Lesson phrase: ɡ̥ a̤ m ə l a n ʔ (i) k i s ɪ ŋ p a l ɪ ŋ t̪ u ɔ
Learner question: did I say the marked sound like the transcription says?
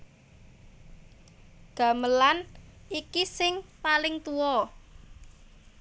yes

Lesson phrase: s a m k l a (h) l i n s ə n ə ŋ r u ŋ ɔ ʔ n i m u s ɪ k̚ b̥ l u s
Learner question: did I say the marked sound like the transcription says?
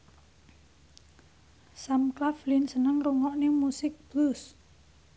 no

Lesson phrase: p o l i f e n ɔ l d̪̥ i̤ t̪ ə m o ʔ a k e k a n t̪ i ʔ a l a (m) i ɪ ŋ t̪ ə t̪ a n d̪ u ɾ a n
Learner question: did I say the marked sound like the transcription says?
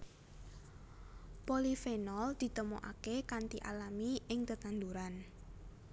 yes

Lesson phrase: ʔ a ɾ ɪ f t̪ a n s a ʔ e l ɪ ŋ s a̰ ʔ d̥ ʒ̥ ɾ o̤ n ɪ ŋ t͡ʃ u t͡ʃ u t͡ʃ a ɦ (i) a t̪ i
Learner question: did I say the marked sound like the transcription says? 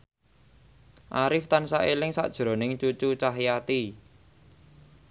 no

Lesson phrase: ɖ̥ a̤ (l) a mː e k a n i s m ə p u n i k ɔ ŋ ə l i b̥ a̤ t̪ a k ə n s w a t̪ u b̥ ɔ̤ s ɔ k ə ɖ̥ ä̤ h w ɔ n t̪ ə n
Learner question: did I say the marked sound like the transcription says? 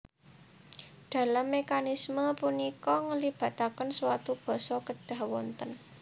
yes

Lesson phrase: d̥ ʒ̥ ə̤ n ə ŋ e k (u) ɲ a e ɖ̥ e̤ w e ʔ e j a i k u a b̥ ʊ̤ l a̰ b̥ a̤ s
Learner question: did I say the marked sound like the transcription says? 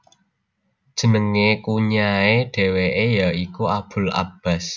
yes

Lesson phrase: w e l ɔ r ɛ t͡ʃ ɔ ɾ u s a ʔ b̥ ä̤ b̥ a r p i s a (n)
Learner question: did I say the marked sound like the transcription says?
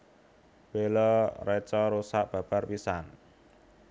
yes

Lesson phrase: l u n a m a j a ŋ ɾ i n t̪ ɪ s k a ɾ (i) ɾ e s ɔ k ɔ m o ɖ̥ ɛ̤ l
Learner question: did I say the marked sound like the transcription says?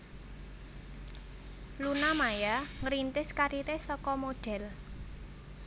yes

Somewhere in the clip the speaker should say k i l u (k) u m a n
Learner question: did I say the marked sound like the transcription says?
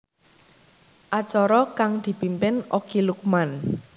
yes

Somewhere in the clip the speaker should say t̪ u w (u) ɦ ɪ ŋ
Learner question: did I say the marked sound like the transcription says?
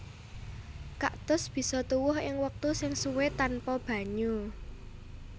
no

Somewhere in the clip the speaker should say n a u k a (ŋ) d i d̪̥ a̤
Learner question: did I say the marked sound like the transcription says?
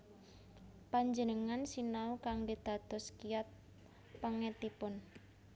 yes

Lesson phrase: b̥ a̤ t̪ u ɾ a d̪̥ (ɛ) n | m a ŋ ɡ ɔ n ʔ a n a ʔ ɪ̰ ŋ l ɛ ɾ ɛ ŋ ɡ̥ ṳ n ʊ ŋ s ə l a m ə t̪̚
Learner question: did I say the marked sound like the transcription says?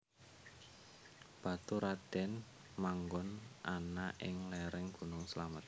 yes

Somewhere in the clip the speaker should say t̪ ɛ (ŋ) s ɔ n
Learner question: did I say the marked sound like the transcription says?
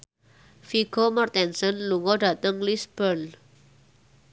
no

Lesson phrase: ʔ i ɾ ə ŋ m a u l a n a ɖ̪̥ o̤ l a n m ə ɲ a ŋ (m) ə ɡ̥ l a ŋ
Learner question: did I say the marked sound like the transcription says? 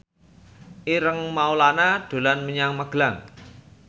yes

